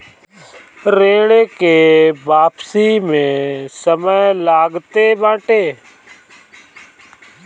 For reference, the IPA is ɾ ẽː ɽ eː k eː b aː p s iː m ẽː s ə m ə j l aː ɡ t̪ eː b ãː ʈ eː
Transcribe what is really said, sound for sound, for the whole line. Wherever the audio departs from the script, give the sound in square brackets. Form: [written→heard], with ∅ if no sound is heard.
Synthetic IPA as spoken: ɾ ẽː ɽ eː k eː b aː p s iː m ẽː s ə m ə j l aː ɡ t̪ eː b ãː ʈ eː